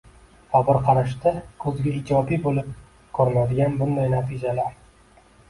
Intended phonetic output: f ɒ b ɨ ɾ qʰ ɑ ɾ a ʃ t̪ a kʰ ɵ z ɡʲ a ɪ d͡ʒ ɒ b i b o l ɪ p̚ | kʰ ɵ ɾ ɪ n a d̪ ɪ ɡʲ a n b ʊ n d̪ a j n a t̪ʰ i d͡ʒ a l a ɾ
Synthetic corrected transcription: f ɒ b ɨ ɾ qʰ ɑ ɾ a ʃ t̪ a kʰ ɵ z ɡʲ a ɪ d͡ʒ ɒ b i b o l ɪ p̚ | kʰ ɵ ɾ ɪ n a d̪ ɪ ɡʲ a n b ʊ n d̪ a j n a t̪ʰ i d͡ʒ a l a ɾ